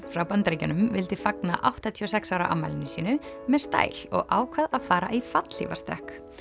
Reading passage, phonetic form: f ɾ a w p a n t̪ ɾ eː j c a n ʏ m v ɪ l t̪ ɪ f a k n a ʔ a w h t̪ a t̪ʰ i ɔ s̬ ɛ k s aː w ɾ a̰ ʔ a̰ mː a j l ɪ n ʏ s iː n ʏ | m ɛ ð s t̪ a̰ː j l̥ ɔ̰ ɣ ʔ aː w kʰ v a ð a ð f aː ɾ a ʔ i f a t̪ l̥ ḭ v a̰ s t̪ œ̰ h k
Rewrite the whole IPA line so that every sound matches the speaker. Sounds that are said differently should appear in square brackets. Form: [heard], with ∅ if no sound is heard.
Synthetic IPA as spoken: f ɾ a w p a n t̪ ɾ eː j c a n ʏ m v ɪ l t̪ ɪ f a k n a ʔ a w h t̪ a t̪ʰ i ɔ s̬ ɛ k s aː w ɾ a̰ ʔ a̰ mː a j l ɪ n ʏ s iː n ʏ | m ɛ ð s t̪ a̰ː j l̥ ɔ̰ ɣ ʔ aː w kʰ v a ð a ð f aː ɾ a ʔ i f a t̪ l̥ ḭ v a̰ s t̪ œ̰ h k